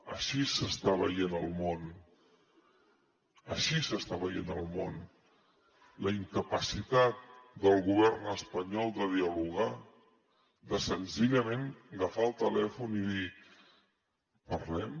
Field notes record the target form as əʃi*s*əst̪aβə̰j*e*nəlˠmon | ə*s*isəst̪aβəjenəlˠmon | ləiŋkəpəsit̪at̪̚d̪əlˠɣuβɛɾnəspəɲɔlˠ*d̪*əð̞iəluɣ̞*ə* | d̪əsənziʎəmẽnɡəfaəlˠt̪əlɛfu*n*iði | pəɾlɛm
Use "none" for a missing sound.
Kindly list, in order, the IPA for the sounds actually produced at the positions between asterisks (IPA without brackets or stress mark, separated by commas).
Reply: s, e, ʃ, d̪, a, n